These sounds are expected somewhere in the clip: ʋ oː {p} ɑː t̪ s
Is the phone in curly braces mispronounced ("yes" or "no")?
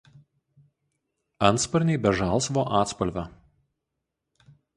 yes